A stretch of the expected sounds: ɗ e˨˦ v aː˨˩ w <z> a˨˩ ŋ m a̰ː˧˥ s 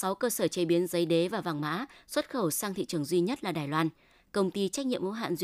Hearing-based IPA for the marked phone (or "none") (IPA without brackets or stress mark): v